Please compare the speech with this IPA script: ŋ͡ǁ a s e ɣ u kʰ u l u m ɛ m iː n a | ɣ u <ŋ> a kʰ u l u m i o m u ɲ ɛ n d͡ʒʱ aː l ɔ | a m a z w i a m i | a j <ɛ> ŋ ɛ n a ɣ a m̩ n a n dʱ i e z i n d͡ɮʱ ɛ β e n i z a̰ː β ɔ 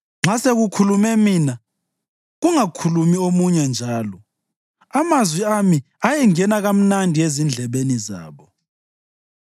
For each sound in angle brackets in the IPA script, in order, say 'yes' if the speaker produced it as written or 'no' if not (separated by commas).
yes, yes